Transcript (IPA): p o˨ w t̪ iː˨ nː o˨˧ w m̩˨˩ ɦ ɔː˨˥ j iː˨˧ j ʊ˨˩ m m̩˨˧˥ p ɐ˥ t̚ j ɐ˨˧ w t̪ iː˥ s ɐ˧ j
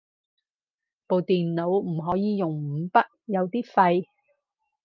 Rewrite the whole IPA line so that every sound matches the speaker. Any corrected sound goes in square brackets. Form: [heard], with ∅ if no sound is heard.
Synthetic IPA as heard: p o˨ w t̪ iː˨ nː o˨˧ w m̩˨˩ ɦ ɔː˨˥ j iː˨˧ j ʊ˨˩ [ŋ] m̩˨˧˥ p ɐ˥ t̚ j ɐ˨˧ w t̪ iː˥ [f] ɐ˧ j